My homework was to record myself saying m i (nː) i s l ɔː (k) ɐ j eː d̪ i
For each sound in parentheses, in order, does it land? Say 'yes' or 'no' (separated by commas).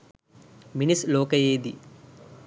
no, yes